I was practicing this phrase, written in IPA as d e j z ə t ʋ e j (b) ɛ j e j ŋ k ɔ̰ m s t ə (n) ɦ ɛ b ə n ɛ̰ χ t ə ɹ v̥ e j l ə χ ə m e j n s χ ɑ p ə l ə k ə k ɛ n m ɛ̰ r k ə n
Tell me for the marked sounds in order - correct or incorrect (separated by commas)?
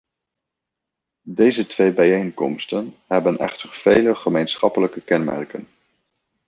correct, correct